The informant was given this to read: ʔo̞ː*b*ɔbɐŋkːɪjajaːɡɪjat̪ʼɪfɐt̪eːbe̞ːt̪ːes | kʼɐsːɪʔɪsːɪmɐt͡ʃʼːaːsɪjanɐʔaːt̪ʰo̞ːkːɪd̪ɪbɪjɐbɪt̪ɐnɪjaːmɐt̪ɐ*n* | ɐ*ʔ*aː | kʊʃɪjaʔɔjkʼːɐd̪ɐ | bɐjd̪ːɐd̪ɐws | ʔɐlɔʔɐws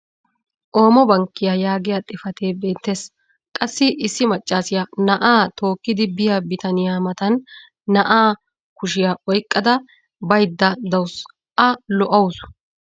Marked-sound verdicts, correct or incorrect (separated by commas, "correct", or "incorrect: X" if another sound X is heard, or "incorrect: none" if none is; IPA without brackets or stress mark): incorrect: m, incorrect: nː, correct